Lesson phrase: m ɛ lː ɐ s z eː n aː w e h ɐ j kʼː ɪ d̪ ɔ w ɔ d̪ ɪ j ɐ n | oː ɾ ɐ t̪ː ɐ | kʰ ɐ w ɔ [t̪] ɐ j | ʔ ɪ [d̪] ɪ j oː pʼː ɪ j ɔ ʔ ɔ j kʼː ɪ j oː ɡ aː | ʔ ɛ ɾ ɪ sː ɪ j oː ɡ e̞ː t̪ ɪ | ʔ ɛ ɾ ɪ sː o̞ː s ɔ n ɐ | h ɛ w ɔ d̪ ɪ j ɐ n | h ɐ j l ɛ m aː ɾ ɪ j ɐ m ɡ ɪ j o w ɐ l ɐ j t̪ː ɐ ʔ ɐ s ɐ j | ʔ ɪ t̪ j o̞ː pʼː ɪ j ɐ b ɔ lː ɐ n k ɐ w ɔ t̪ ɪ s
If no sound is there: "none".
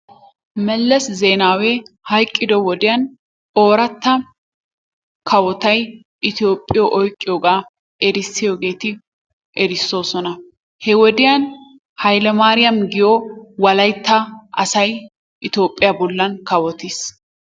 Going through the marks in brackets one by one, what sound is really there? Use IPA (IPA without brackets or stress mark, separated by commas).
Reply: t̪, t̪